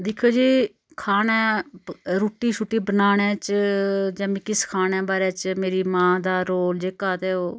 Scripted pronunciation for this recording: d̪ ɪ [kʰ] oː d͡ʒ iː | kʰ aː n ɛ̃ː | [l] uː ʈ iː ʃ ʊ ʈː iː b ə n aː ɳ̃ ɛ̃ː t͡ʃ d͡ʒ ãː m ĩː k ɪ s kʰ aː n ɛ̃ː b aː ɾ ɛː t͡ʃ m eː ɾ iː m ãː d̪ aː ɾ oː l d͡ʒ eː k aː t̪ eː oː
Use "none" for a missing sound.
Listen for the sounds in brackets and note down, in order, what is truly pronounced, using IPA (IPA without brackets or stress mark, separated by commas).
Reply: kʰ, ɾ